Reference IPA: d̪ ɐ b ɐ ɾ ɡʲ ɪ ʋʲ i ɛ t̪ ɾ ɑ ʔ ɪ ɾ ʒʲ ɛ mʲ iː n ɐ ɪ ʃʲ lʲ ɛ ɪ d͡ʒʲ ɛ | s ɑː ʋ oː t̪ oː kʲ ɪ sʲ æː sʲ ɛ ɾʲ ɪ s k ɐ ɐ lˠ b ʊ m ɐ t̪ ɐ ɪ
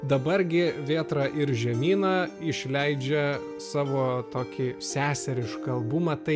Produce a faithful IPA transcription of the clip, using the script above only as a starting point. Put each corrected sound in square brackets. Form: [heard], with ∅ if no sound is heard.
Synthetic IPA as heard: d̪ ɐ b ɐ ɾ ɡʲ ɪ ʋʲ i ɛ t̪ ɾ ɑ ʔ ɪ ɾ ʒʲ ɛ mʲ iː n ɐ ɪ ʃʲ lʲ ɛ ɪ d͡ʒʲ ɛ | s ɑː ʋ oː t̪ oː kʲ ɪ sʲ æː sʲ ɛ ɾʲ ɪ [ʃ] k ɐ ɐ lˠ b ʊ m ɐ t̪ ɐ ɪ